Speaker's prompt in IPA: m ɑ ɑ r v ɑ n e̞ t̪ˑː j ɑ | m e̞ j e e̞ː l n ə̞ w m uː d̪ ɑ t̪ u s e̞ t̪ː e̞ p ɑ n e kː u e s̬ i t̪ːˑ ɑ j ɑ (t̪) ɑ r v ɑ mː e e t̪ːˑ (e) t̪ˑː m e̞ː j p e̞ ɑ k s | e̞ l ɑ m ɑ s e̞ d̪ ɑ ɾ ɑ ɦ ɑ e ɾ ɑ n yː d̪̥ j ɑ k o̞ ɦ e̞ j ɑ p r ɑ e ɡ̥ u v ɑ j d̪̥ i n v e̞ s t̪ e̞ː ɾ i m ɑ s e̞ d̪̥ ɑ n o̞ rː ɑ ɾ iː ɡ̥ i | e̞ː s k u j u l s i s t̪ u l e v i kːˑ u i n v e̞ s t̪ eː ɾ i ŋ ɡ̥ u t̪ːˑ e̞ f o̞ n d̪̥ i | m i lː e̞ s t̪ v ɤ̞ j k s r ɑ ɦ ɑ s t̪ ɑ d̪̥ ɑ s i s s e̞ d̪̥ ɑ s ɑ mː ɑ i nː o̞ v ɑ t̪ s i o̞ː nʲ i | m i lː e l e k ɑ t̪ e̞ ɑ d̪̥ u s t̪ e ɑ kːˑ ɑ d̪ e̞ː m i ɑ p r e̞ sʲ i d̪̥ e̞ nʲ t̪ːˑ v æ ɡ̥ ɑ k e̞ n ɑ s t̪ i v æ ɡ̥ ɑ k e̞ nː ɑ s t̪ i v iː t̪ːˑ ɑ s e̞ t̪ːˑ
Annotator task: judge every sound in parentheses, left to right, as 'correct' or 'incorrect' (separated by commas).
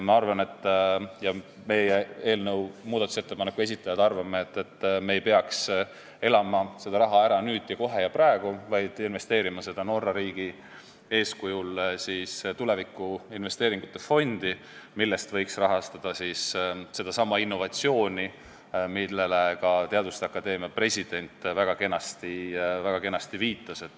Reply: incorrect, correct